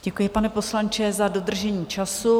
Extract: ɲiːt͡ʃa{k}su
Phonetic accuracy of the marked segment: incorrect: none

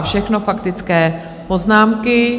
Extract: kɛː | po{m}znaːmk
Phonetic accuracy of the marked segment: incorrect: none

